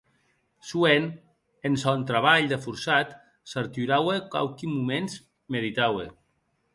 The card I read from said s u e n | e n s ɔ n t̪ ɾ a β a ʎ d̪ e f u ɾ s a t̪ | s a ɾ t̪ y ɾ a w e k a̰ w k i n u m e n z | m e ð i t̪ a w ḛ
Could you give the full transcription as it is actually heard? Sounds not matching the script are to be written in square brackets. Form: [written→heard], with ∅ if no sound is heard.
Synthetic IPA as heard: s u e n | e n s ɔ n t̪ ɾ a β a ʎ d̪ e f u ɾ s a t̪ | s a ɾ t̪ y ɾ a w e k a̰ w k i [n→m] u m e n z | m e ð i t̪ a w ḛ